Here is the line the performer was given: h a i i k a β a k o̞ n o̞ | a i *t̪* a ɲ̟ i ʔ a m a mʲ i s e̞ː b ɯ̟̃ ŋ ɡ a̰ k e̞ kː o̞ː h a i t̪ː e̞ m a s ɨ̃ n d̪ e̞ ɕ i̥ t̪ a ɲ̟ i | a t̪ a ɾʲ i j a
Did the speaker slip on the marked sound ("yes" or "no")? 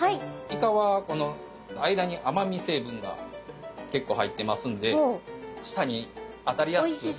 yes